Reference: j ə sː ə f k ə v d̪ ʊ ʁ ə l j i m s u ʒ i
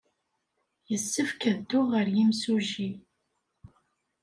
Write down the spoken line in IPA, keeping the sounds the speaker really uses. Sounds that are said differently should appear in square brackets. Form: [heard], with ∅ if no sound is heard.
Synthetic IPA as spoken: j ə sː ə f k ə [ð] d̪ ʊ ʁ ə [ɾ] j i m s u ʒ i